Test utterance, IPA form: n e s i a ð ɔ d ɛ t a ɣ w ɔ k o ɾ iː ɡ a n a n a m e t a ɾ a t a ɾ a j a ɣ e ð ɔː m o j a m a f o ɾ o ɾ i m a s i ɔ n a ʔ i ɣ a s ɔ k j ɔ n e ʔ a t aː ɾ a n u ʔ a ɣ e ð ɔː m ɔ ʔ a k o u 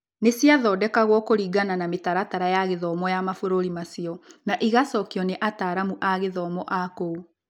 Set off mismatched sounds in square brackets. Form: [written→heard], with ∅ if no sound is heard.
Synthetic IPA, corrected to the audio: n e s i a ð ɔ d ɛ [t→k] a ɣ w ɔ k o ɾ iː ɡ a n a n a m e t a ɾ a t a ɾ a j a ɣ e ð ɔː m [o→ɔ] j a m a f o ɾ o ɾ i m a s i ɔ n a ʔ i ɣ a s ɔ k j ɔ n e ʔ a t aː ɾ a [n→m] u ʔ a ɣ e ð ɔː m ɔ ʔ a k o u